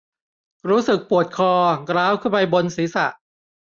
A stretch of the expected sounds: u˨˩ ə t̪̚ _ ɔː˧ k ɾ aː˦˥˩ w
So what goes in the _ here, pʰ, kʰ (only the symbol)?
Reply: kʰ